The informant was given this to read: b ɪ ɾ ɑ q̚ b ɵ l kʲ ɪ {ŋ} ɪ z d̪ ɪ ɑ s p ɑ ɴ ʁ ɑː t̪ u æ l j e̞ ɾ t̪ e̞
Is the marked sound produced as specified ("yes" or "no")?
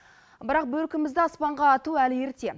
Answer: no